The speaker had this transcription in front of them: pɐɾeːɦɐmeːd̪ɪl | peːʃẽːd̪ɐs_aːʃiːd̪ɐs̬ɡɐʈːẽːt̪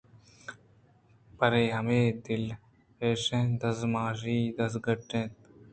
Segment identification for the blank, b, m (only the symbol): m